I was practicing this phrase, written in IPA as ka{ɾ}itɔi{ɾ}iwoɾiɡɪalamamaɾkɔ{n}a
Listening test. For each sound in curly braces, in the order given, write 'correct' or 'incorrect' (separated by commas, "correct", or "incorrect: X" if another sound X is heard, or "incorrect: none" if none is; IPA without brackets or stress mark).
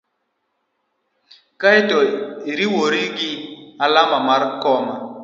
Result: incorrect: none, correct, incorrect: m